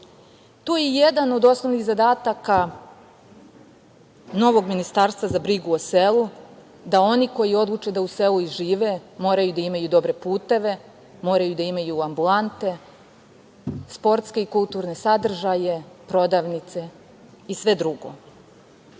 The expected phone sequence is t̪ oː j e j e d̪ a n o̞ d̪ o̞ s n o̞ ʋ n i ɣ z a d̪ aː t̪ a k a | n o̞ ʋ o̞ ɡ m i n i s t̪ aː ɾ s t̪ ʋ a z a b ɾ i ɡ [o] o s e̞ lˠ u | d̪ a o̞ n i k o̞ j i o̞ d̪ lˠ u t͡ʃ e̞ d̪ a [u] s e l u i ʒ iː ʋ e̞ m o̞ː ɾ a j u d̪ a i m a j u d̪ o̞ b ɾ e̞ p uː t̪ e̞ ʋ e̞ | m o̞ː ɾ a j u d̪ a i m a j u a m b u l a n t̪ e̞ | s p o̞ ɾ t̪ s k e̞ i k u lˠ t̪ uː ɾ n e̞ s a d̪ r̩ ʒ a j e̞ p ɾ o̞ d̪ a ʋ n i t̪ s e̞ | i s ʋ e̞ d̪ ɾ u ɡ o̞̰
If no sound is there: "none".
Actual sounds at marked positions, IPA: u, u

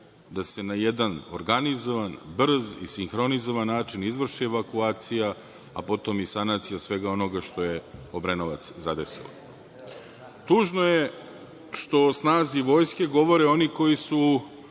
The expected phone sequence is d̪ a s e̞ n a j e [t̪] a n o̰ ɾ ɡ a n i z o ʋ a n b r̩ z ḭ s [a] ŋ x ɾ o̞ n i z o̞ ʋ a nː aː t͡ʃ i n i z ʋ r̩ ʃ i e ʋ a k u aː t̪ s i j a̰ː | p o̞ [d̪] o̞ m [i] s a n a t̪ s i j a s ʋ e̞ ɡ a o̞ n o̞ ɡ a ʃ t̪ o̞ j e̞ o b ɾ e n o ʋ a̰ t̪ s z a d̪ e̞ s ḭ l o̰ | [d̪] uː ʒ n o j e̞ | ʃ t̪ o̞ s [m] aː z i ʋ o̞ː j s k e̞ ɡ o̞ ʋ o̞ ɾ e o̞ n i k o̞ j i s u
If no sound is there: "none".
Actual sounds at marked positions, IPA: d̪, i, t̪, i, t̪, n

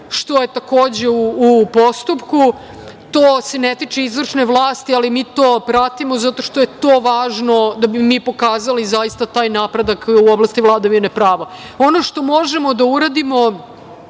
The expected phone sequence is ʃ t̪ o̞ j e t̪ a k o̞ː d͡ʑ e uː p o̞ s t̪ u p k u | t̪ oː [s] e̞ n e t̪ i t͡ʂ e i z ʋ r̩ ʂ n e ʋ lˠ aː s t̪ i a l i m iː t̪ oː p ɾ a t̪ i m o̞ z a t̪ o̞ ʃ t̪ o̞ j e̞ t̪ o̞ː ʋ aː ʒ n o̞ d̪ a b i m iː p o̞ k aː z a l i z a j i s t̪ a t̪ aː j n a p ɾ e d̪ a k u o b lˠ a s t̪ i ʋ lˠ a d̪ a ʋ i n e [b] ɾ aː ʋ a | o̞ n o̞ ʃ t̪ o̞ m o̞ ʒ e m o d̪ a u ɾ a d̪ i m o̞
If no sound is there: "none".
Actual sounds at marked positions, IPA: s, p

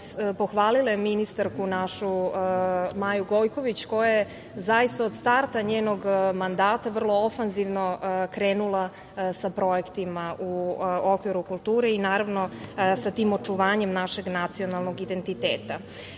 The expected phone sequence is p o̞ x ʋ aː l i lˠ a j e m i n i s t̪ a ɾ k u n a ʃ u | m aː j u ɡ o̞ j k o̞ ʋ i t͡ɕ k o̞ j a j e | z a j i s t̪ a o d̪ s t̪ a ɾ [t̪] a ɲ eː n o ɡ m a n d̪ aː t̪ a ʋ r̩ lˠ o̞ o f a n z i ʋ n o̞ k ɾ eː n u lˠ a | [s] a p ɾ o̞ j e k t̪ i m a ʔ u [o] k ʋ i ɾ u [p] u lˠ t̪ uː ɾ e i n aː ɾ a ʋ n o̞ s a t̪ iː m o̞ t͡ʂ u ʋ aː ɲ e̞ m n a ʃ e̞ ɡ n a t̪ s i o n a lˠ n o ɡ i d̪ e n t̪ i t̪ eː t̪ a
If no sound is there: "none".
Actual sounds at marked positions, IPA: t̪, s, o, k

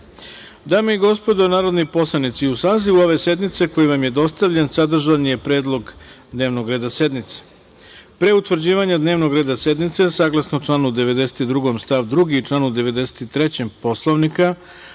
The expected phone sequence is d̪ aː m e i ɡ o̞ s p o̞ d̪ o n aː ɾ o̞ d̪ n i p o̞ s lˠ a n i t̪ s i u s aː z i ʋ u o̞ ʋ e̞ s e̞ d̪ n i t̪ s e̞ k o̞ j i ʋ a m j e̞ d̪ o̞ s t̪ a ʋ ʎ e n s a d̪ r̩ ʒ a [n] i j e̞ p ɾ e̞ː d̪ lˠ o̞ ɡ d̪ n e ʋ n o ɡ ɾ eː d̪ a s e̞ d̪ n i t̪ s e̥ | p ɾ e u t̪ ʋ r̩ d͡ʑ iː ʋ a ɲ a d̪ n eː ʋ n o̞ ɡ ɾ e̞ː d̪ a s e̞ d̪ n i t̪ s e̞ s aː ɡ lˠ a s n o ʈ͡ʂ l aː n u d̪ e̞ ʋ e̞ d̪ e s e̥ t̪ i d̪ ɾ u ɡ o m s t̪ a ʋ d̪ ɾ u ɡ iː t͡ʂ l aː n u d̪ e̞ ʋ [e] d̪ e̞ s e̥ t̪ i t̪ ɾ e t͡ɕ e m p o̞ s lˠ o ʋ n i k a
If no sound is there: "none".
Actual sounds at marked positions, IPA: n, e

